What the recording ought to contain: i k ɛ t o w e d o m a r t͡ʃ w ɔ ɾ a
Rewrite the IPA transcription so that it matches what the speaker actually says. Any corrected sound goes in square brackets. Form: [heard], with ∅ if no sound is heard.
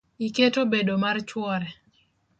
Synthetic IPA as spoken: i k [e] t o [b] e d o m a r t͡ʃ w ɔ ɾ [ɛ]